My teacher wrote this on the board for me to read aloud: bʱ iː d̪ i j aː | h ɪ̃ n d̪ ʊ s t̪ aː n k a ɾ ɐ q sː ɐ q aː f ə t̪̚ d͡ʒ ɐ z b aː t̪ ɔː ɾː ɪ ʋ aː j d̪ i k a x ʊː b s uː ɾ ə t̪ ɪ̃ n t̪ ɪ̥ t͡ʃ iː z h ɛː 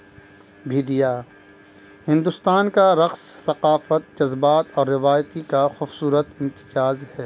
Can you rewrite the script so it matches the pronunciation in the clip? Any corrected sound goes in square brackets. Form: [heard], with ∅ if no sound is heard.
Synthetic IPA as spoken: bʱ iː d̪ i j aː | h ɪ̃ n d̪ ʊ s t̪ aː n k a ɾ ɐ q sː ɐ q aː f ə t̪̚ d͡ʒ ɐ z b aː t̪ ɔː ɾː ɪ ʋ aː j [t̪] i k a x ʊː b s uː ɾ ə t̪ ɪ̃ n t̪ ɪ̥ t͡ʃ [aː] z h ɛː